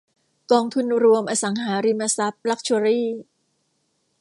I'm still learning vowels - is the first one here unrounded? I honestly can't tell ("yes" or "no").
no